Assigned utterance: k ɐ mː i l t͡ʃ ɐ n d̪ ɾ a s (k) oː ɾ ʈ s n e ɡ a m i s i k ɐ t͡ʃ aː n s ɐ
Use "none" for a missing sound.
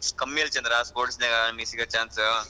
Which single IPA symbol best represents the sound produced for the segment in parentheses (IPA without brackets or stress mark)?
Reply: p